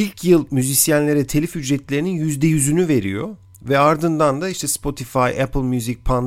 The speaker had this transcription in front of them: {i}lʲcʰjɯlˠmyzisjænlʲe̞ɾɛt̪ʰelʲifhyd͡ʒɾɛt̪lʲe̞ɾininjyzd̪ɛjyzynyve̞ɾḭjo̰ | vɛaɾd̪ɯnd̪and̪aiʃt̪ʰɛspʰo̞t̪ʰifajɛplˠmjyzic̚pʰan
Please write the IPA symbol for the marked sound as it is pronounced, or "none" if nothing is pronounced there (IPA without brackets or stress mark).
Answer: i